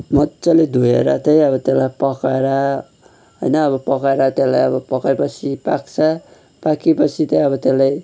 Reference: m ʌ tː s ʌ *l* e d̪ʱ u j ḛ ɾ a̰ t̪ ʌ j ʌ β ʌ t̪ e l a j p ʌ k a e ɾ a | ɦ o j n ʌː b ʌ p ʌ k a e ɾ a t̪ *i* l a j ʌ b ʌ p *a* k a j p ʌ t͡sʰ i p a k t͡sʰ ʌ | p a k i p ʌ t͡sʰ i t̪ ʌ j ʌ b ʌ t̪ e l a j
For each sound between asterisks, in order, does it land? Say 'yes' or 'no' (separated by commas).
yes, no, no